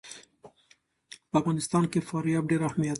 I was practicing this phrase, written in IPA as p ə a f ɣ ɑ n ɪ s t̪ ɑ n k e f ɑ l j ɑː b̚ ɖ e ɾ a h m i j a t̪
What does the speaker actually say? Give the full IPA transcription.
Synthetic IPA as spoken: p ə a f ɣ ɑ n ɪ s t̪ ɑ n k e f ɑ ɾ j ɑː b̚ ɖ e ɾ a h m i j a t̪